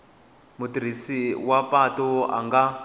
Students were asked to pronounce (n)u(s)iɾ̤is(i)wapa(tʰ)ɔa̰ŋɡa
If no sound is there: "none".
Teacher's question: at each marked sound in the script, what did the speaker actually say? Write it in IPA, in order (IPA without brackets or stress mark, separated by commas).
m, t, i, t